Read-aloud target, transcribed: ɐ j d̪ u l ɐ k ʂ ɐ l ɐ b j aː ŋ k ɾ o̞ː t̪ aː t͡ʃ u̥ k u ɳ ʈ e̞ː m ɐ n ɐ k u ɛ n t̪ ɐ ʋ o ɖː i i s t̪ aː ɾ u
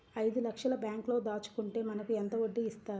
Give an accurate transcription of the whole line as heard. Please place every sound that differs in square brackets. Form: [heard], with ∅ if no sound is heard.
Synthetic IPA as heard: ɐ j d̪ u l ɐ k ʂ ɐ l ɐ b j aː ŋ k [l] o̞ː [d̪] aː t͡ʃ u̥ k u ɳ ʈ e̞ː m ɐ n ɐ k u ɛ n t̪ ɐ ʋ o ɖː i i s t̪ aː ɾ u

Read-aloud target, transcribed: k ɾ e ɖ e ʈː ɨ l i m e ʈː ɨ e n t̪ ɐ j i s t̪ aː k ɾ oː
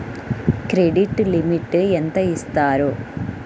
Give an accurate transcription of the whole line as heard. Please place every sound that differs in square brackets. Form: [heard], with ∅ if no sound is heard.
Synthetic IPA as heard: k ɾ e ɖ [i] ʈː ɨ l i m [i] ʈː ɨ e n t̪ ɐ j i s t̪ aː [∅] ɾ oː

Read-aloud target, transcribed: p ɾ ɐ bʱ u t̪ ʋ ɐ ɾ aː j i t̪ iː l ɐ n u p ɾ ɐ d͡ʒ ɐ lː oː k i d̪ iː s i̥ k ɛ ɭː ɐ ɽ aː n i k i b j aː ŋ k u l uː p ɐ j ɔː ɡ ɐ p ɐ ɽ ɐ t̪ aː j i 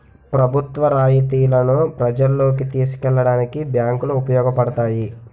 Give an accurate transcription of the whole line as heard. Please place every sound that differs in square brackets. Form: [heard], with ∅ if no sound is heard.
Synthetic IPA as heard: p ɾ ɐ bʱ u t̪ ʋ ɐ ɾ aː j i t̪ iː l ɐ n u p ɾ ɐ d͡ʒ ɐ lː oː k i [t̪] iː s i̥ k ɛ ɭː ɐ ɽ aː n i k i b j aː ŋ k u l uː p ɐ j ɔː ɡ ɐ p ɐ ɽ ɐ t̪ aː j i

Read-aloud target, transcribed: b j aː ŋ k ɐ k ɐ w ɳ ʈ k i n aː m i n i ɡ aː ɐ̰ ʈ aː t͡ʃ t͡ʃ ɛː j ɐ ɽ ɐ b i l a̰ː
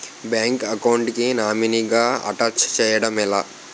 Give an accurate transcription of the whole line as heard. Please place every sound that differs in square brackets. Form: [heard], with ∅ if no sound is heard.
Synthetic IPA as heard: b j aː ŋ k ɐ k ɐ w ɳ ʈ k i n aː m i n i ɡ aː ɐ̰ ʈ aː t͡ʃ t͡ʃ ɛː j ɐ ɽ ɐ [m] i l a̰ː

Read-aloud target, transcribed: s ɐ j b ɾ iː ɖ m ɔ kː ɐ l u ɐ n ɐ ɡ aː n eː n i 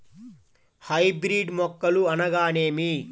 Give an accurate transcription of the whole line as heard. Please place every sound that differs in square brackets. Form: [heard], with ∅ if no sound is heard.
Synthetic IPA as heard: [h] ɐ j b ɾ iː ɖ m ɔ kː ɐ l u ɐ n ɐ ɡ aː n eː [m] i

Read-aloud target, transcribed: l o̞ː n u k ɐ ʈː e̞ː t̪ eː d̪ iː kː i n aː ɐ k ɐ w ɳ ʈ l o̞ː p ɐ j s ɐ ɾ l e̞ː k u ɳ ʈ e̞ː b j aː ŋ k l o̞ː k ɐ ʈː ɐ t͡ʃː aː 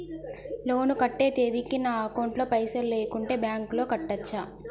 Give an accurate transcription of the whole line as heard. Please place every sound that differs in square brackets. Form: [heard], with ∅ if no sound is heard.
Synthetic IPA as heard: l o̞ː n u k ɐ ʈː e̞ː t̪ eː d̪ [i] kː i n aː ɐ k ɐ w ɳ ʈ l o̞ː p ɐ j s ɐ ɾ l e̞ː k u ɳ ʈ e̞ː b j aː ŋ k l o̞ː k ɐ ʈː ɐ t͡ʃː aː

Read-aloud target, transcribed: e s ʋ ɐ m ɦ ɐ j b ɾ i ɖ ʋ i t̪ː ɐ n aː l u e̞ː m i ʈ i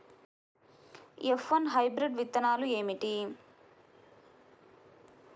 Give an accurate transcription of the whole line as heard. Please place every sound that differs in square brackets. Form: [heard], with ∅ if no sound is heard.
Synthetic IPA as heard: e [f] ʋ ɐ [n] ɦ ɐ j b ɾ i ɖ ʋ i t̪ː ɐ n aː l u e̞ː m i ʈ i

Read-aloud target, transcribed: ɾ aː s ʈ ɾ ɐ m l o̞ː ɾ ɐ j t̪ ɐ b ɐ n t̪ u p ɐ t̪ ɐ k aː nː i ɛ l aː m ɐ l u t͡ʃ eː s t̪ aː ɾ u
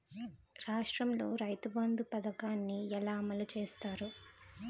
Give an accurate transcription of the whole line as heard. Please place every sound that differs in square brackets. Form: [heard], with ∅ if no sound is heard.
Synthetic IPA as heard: ɾ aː [ʂ] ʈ ɾ ɐ m l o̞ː ɾ ɐ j t̪ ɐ b ɐ n [d̪] u p ɐ [d̪] ɐ k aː nː i ɛ l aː m ɐ l u t͡ʃ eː s t̪ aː ɾ u

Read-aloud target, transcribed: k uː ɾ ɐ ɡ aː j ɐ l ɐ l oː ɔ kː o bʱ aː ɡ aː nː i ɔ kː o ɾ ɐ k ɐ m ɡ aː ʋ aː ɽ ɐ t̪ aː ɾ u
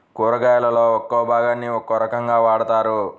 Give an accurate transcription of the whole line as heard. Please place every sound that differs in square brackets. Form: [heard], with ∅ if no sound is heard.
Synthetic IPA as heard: k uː ɾ ɐ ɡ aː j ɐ l ɐ l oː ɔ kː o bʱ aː ɡ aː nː i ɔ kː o ɾ ɐ k ɐ [ŋ] ɡ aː ʋ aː ɽ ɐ t̪ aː ɾ u

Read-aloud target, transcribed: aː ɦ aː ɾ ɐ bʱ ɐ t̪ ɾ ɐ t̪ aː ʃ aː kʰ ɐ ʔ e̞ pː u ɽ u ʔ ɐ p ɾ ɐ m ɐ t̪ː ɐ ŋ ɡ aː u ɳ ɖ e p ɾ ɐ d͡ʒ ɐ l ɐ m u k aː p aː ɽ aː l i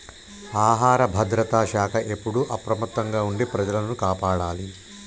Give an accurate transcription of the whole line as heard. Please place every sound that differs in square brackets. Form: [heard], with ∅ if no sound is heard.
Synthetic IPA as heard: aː ɦ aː ɾ ɐ bʱ ɐ [d̪] ɾ ɐ t̪ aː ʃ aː kʰ ɐ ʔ e̞ pː u ɽ u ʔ ɐ p ɾ ɐ m ɐ t̪ː ɐ ŋ ɡ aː u ɳ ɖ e p ɾ ɐ d͡ʒ ɐ l ɐ [n] u k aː p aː ɽ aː l i

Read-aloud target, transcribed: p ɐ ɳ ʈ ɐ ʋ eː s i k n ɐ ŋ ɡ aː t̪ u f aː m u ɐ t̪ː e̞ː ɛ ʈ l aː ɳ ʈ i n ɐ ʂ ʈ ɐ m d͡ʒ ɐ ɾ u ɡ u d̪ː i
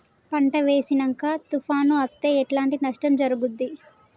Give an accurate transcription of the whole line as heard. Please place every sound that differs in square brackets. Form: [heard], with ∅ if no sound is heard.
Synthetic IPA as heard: p ɐ ɳ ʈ ɐ ʋ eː s i [∅] n ɐ ŋ [k] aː t̪ u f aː [n] u ɐ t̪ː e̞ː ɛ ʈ l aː ɳ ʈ i n ɐ ʂ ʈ ɐ m d͡ʒ ɐ ɾ u ɡ u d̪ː i

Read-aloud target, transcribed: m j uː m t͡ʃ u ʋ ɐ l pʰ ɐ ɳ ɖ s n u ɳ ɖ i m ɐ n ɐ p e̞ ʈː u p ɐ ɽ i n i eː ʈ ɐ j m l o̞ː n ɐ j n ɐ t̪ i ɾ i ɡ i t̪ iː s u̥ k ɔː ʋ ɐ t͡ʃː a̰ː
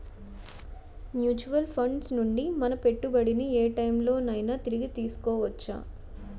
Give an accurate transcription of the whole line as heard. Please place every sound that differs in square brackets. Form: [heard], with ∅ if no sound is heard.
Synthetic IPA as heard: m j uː [∅] t͡ʃ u ʋ ɐ l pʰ ɐ ɳ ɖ s n u ɳ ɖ i m ɐ n ɐ p e̞ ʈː u [b] ɐ ɽ i n i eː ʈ ɐ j m l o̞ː n ɐ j n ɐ t̪ i ɾ i ɡ i t̪ iː s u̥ k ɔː ʋ ɐ t͡ʃː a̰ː

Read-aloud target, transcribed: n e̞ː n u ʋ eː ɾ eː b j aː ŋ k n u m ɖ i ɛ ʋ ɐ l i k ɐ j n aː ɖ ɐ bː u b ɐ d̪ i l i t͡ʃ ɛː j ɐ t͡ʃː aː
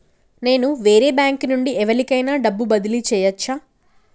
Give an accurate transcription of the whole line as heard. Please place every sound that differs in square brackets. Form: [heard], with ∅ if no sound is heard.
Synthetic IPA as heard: n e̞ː n u ʋ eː ɾ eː b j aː ŋ k n u [ɳ] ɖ i ɛ ʋ ɐ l i k ɐ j n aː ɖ ɐ bː u b ɐ d̪ i l i t͡ʃ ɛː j ɐ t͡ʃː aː

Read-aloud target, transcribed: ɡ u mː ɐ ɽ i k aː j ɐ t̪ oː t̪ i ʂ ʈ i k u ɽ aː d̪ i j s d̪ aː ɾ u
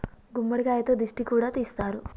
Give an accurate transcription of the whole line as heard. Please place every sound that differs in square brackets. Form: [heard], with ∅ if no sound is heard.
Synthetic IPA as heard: ɡ u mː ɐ ɽ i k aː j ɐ t̪ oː [d̪] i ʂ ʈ i k [uː] ɽ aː [t̪] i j s [t̪] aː ɾ u

